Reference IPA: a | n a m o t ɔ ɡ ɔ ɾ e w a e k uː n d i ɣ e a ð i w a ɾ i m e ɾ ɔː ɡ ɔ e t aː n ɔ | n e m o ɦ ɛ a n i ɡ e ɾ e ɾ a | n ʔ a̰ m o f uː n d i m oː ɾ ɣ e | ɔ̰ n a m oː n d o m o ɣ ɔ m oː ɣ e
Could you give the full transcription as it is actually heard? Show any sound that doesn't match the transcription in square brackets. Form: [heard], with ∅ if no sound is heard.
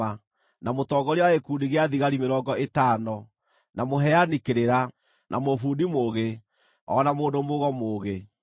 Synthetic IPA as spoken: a | n a m o t ɔ ɡ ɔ ɾ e w a e k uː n d i ɣ e a ð i [ɣ] a ɾ i m e ɾ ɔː ɡ ɔ e t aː n ɔ | n [a] m o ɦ ɛ a n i [k] e ɾ e ɾ a | n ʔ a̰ m o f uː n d i m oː [∅] ɣ e | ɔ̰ n a m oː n d o m o ɣ ɔ m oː ɣ e